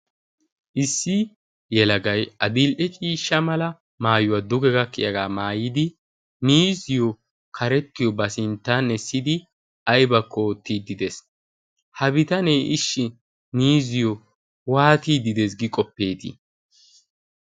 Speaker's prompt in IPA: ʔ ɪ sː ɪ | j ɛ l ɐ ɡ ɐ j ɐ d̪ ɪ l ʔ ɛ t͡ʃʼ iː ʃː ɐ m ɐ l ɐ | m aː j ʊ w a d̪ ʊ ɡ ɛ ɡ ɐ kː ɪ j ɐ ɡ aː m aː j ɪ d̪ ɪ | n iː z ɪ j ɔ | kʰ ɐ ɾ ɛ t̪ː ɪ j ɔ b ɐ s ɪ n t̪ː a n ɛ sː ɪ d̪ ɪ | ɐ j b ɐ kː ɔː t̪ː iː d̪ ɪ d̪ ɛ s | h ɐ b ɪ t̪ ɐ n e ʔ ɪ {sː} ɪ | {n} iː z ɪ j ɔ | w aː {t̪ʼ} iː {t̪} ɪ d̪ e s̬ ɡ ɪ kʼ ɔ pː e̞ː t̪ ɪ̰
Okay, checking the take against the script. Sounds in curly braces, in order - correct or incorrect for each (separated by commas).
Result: incorrect, correct, incorrect, incorrect